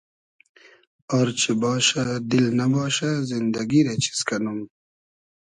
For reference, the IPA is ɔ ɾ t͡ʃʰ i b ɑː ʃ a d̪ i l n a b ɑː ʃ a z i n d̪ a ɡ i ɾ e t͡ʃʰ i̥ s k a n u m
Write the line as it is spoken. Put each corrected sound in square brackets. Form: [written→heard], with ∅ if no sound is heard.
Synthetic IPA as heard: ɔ ɾ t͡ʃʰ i b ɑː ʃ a d̪ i l n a b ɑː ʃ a z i n d̪ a ɡ i ɾ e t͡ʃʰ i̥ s k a n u m